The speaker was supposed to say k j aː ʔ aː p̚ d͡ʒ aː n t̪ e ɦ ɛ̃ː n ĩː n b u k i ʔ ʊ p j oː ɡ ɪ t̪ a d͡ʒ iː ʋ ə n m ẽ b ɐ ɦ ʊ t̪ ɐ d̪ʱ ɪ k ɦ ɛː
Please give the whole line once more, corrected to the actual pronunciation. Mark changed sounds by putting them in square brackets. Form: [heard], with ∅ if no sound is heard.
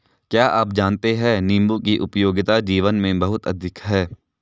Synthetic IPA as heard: k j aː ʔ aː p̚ d͡ʒ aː n t̪ e ɦ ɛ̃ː n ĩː [m] b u k i ʔ ʊ p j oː ɡ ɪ t̪ a d͡ʒ iː ʋ ə n m ẽ b ɐ ɦ ʊ t̪ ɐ d̪ʱ ɪ k ɦ ɛː